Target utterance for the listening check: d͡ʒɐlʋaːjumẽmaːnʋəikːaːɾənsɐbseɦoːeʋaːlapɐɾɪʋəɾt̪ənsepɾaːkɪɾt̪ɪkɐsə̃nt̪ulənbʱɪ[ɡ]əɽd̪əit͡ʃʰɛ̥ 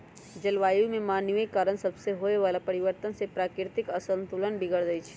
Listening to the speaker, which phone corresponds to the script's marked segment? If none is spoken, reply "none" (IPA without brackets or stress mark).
ɡ